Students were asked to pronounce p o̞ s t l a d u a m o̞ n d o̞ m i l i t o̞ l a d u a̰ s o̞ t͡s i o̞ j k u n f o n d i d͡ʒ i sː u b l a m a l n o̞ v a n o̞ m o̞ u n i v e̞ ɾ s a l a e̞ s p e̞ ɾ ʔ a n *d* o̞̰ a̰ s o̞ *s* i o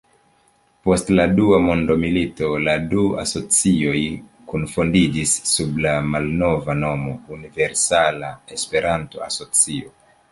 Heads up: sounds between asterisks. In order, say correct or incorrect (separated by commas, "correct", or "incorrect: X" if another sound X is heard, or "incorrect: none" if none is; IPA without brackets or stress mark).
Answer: incorrect: t, incorrect: t͡s